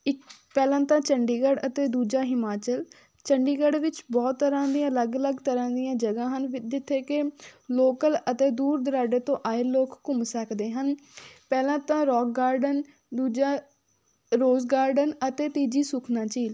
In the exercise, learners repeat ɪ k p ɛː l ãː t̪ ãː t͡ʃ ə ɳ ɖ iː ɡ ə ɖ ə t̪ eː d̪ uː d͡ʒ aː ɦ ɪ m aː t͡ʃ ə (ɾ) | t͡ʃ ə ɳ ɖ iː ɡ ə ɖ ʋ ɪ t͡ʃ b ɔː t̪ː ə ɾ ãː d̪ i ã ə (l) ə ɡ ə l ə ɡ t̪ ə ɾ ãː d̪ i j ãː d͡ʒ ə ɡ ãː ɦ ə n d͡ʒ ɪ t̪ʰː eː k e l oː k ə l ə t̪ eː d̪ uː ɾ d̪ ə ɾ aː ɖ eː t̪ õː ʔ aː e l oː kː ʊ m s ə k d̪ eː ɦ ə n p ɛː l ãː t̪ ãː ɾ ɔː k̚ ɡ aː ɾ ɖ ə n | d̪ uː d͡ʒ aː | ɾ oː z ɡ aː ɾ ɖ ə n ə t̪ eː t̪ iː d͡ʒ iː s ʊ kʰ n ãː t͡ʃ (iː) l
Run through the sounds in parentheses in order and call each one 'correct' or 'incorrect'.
incorrect: l, correct, correct

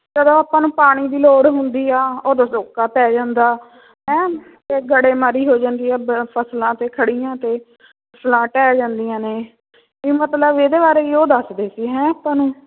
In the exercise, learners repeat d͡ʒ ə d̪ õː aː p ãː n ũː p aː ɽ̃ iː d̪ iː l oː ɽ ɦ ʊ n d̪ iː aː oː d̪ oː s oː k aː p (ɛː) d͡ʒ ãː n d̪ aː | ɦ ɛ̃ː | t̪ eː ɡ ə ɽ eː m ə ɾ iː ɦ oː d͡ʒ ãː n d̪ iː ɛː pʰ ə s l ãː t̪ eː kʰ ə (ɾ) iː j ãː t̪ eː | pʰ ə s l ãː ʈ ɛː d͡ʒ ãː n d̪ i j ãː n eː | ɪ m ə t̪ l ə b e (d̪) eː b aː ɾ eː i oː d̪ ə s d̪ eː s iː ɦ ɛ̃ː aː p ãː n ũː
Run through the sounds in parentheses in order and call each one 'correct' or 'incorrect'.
correct, incorrect: ɽ, correct

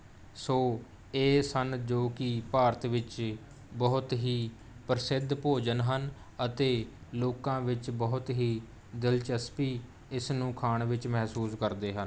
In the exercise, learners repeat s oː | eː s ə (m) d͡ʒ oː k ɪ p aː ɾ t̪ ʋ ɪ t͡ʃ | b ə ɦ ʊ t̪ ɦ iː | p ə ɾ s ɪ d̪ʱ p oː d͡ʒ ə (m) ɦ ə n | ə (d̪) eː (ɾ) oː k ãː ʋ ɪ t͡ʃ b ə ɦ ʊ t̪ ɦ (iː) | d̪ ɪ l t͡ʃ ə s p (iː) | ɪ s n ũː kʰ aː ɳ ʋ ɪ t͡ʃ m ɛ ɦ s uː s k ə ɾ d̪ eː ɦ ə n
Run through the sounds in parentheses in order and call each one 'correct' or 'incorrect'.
incorrect: n, incorrect: n, incorrect: t̪, incorrect: l, correct, correct

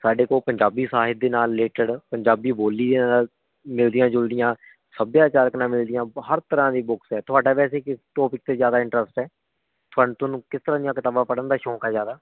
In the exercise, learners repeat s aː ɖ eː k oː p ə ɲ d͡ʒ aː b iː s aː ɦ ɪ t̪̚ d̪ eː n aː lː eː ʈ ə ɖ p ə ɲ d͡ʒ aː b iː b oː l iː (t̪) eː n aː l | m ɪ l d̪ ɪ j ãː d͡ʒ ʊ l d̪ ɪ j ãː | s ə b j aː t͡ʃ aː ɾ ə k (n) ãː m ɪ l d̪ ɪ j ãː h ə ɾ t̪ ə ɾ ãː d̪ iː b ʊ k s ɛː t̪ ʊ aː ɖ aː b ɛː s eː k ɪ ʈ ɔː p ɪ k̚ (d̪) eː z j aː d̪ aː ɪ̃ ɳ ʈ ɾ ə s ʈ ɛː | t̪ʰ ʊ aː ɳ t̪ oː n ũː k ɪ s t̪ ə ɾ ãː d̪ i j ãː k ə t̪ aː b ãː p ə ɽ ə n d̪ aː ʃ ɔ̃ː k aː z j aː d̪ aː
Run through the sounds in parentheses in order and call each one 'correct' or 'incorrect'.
incorrect: d̪, correct, incorrect: t̪

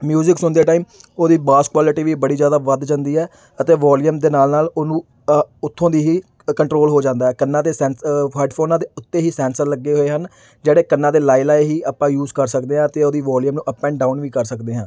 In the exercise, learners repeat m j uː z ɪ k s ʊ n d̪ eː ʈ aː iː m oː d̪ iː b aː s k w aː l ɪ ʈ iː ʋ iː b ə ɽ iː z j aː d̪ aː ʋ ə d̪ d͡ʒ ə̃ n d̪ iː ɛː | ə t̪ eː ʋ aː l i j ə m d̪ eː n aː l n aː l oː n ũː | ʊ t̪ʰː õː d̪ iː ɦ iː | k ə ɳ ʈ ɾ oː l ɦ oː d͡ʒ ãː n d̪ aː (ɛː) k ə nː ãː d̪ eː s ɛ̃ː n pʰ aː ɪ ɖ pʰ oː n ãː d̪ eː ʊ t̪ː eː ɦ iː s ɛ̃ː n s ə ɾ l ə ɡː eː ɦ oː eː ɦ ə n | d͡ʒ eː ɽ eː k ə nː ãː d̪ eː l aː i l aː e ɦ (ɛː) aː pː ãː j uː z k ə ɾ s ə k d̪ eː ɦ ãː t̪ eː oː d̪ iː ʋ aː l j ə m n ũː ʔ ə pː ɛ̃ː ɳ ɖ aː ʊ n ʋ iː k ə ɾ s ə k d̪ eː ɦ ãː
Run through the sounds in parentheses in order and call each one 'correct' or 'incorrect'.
correct, incorrect: iː

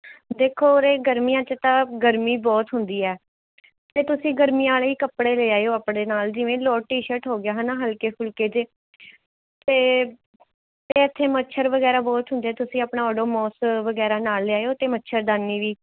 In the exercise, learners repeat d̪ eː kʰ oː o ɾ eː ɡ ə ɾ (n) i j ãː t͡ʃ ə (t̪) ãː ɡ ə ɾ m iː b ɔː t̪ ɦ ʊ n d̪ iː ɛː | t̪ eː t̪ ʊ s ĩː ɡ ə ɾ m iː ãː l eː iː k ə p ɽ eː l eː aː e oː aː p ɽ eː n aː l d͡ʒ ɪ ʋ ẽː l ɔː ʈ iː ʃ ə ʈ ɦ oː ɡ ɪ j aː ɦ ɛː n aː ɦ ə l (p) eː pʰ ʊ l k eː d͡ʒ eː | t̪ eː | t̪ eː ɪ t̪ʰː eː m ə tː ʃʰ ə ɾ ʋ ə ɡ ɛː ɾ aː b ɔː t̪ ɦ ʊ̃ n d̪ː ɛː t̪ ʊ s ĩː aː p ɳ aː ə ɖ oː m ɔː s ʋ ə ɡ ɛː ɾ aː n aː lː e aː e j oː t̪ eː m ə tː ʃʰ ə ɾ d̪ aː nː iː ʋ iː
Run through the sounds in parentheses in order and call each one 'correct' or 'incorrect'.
incorrect: m, correct, incorrect: k

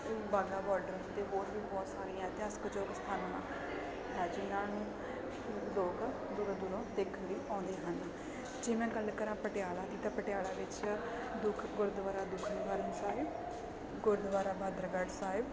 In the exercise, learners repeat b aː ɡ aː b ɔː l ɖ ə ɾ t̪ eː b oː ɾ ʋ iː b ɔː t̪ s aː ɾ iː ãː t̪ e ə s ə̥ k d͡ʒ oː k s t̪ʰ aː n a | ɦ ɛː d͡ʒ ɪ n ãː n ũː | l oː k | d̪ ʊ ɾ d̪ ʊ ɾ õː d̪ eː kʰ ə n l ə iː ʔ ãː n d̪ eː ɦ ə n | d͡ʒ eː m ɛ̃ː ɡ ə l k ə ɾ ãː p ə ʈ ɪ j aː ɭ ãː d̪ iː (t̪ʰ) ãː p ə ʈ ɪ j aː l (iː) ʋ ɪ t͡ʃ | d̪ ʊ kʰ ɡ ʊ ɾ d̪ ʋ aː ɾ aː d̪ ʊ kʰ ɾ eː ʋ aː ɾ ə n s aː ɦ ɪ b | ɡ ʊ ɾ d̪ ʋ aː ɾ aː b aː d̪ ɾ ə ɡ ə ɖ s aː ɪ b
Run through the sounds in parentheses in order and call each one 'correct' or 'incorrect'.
incorrect: t̪, incorrect: aː

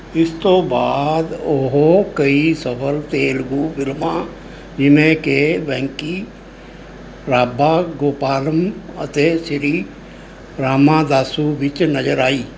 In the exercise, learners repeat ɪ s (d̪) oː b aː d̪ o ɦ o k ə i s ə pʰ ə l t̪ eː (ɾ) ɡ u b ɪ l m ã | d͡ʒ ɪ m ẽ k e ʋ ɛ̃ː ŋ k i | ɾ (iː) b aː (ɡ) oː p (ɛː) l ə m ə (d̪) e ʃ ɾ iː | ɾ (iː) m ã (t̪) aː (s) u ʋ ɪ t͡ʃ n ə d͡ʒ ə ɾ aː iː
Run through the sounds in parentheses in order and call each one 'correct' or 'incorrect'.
incorrect: t̪, incorrect: l, incorrect: aː, correct, incorrect: aː, incorrect: t̪, incorrect: aː, incorrect: d̪, correct

